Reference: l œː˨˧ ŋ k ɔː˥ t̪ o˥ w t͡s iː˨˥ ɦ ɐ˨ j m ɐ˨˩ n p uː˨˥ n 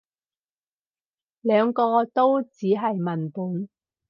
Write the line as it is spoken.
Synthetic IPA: l œː˨˧ ŋ k ɔː˧ t̪ o˥ w t͡s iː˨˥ ɦ ɐ˨ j m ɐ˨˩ n p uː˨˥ n